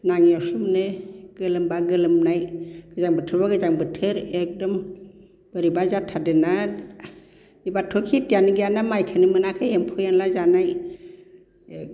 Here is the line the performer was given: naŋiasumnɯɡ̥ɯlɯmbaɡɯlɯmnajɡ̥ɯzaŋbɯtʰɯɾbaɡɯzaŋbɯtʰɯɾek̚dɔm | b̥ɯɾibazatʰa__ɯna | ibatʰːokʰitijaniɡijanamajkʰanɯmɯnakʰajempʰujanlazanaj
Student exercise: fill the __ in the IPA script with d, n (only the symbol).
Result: d